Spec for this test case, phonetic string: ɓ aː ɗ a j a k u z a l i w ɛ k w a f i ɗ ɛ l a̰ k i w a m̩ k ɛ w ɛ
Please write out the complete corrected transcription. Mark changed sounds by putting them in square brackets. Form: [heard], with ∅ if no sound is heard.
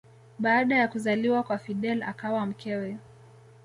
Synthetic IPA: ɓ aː ɗ a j a k u z a l i w [a] k w a f i ɗ ɛ l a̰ k [a] w a m̩ k ɛ w ɛ